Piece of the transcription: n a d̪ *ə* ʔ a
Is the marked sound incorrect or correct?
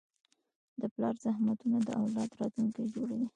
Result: correct